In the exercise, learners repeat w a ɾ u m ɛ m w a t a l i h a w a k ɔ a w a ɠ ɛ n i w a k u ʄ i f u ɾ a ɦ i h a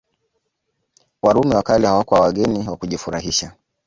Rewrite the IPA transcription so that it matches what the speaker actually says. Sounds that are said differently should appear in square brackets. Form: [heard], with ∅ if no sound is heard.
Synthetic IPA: w a ɾ u m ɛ [∅] w a [k] a l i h a w a k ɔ a w a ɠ ɛ n i w a k u ʄ i f u ɾ a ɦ i [ʃ] a